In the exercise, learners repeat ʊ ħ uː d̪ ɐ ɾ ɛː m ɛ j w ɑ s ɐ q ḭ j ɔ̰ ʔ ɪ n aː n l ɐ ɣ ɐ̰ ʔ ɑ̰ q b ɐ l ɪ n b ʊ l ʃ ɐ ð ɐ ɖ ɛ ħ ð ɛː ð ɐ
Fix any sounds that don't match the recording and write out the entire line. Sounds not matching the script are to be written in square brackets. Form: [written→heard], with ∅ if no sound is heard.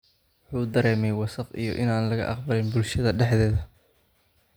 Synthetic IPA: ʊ ħ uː d̪ ɐ ɾ ɛː m ɛ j w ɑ s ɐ q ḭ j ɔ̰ ʔ ɪ n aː n l ɐ ɣ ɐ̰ ʔ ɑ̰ q b ɐ l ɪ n b ʊ l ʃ ɐ ð ɐ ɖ ɛ ħ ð ɛː ð ɐ